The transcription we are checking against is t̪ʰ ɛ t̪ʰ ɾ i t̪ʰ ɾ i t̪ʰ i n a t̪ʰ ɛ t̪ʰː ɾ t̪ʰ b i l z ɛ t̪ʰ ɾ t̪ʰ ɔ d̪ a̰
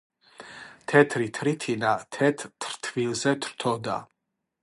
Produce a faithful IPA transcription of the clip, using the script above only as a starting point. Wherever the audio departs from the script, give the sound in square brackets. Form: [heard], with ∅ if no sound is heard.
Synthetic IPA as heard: t̪ʰ ɛ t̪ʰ ɾ i t̪ʰ ɾ i t̪ʰ i n a t̪ʰ ɛ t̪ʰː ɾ t̪ʰ [v] i l z ɛ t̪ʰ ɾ t̪ʰ ɔ d̪ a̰